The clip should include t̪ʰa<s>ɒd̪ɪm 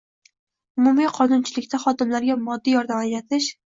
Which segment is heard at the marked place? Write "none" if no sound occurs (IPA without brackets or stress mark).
χ